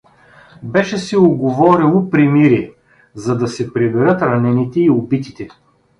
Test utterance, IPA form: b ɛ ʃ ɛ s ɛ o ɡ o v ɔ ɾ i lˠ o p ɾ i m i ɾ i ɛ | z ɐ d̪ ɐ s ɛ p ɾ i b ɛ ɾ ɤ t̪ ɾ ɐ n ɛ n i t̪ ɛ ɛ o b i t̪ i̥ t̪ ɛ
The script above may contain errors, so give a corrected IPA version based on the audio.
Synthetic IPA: b ɛ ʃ ɛ s ɛ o ɡ o v ɔ ɾ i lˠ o p ɾ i m i ɾ i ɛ | z ɐ d̪ ɐ s ɛ p ɾ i b ɛ ɾ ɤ t̪ ɾ ɐ n ɛ n i t̪ ɛ i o b i t̪ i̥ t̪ ɛ